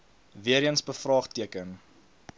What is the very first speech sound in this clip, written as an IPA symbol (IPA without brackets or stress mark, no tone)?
v